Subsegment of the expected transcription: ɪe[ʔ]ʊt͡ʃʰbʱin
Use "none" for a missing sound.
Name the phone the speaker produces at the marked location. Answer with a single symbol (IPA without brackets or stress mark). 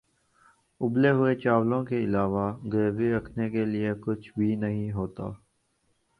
k